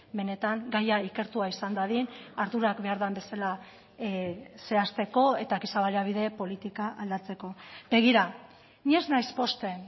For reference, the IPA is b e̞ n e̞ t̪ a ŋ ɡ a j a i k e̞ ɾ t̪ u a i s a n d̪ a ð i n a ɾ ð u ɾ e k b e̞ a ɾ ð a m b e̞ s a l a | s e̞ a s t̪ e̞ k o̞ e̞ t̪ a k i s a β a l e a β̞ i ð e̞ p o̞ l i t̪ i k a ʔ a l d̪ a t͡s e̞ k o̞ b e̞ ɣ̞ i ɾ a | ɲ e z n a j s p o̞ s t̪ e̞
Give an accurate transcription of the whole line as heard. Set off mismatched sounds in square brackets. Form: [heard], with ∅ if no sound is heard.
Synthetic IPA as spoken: b e̞ n e̞ t̪ a ŋ ɡ a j a i k e̞ ɾ t̪ u a i s a n d̪ a ð i n a ɾ ð u ɾ [a] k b e̞ a ɾ ð a m b e̞ s a l a | s e̞ a s t̪ e̞ k o̞ e̞ t̪ a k i s a β a l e a β̞ i ð e̞ p o̞ l i t̪ i k a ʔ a l d̪ a t͡s e̞ k o̞ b e̞ ɣ̞ i ɾ a | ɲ e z n a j s p o̞ s t̪ e̞